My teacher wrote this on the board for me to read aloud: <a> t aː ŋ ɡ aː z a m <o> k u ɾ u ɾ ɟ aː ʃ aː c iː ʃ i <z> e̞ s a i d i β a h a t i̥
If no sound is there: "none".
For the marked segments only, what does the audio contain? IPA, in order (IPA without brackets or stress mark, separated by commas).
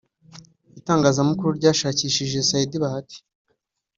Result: i, u, ʒ